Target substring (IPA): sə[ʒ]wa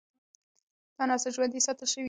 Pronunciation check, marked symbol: correct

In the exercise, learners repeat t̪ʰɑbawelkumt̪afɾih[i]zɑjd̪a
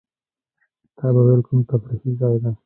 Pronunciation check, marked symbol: correct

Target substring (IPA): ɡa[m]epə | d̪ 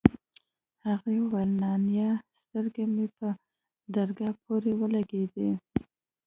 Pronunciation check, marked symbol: correct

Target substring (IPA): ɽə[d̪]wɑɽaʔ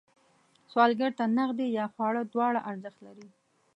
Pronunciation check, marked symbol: correct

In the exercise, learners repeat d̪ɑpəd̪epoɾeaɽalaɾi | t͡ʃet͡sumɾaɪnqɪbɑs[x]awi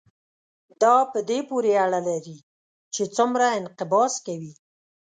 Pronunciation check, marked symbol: incorrect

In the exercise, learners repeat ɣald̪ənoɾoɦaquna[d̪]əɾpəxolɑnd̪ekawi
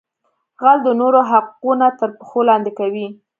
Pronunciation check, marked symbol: incorrect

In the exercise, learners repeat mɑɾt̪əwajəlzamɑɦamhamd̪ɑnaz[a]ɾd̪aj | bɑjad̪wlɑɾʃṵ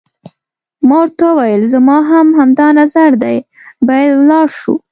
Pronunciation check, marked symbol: correct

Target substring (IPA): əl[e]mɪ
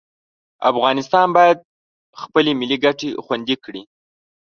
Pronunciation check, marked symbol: correct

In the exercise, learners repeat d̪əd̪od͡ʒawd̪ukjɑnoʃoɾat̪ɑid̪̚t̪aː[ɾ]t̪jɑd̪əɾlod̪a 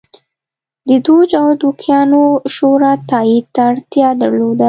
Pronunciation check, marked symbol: incorrect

